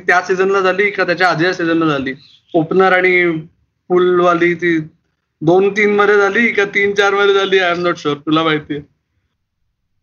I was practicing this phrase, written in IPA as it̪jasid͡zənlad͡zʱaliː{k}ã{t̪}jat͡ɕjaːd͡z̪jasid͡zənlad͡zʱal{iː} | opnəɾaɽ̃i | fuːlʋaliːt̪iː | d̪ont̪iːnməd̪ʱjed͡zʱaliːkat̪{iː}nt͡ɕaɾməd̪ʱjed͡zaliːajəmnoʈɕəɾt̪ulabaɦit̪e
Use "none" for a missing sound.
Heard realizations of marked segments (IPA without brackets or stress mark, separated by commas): k, t̪, iː, iː